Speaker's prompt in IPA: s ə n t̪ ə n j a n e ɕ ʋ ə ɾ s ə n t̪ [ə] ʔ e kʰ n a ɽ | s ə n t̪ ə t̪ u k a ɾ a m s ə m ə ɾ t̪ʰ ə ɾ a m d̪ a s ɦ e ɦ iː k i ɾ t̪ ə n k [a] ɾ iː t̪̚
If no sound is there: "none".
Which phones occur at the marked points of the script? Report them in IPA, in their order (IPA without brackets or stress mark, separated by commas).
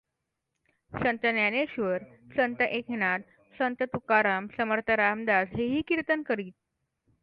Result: ə, ə